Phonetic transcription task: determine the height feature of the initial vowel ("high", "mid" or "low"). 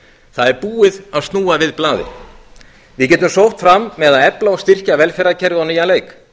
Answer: low